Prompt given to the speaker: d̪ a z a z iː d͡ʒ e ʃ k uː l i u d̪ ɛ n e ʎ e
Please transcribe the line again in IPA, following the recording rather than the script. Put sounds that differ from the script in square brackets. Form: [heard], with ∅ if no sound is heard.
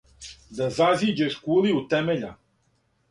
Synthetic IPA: d̪ a z a z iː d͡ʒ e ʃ k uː l i u [t̪] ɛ [m] e ʎ [a]